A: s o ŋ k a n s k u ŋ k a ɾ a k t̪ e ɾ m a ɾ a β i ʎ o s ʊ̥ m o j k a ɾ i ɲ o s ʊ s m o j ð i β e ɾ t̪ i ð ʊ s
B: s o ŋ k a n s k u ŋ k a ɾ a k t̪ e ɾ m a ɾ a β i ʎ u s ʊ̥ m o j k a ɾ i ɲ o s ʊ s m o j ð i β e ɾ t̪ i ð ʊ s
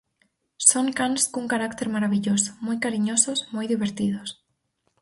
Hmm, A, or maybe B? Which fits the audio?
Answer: A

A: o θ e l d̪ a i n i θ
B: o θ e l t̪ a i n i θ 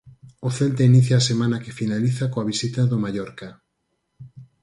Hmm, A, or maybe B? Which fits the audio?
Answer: B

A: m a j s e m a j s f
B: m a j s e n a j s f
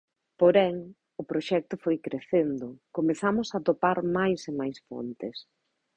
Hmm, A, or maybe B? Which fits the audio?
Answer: A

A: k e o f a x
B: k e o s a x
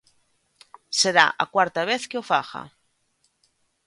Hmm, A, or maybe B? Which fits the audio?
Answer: A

